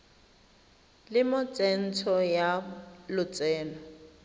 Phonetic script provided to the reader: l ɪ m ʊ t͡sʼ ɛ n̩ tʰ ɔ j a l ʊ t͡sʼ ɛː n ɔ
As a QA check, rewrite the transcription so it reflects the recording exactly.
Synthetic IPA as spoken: l ɪ m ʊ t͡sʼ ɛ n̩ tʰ ɔ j a l ʊ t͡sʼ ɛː n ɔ